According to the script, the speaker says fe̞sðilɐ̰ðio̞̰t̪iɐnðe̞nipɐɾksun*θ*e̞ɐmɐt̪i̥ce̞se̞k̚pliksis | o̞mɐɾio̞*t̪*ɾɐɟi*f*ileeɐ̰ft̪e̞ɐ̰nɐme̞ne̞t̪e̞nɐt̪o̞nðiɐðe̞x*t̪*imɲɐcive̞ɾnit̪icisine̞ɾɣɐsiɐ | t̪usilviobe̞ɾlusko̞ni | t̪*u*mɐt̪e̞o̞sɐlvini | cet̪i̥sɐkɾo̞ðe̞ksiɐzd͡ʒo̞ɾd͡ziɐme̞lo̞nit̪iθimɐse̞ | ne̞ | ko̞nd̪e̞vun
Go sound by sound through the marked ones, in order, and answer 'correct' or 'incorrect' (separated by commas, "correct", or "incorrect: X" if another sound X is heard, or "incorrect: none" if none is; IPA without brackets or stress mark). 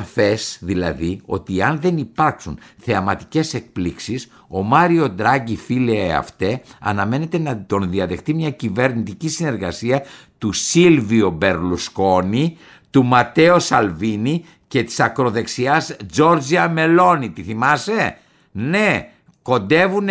correct, incorrect: d̪, correct, correct, correct